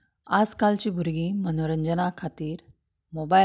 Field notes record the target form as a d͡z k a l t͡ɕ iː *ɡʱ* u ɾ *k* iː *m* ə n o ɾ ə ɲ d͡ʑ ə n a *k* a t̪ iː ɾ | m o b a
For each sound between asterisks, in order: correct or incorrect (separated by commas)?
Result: incorrect, incorrect, correct, incorrect